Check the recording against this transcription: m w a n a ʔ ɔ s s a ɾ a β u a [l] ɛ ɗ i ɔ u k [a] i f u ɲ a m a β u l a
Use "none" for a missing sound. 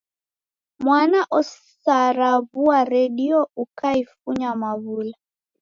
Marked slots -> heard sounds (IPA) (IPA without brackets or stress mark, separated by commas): ɾ, a